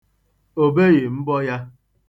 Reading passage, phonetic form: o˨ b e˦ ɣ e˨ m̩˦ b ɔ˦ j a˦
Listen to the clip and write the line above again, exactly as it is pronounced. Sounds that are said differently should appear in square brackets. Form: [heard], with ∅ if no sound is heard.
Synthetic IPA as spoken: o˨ b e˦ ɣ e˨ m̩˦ b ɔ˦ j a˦